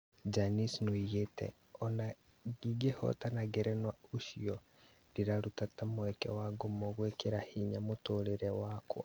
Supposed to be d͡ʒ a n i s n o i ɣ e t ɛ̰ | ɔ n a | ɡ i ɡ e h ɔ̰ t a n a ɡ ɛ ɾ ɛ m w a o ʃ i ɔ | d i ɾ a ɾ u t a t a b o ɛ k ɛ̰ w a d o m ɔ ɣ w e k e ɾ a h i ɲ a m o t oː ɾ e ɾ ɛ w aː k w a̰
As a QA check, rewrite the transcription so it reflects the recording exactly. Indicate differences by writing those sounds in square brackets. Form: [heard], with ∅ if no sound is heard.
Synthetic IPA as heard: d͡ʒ a n i s n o i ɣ e t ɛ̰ | ɔ n a | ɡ i ɡ e h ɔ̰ t a n a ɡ ɛ ɾ ɛ [n] w a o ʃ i ɔ | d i ɾ a ɾ u t a t a [m] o ɛ k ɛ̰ w a [ɡ] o m ɔ ɣ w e k e ɾ a h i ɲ a m o t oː ɾ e ɾ ɛ w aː k w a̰